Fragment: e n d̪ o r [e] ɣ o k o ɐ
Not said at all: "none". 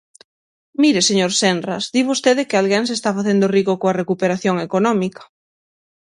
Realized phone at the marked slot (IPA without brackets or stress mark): i